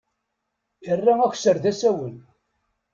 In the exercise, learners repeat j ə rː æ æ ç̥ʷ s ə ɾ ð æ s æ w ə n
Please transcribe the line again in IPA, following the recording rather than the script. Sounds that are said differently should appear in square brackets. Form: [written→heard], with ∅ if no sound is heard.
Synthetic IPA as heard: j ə rː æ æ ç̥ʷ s ə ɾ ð æ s æ w ə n